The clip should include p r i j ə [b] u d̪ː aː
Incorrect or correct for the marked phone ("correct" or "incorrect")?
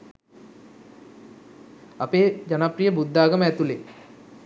correct